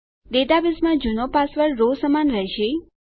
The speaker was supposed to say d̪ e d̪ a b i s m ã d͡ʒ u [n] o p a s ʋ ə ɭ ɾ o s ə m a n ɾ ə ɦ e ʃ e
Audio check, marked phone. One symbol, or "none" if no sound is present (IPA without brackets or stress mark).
n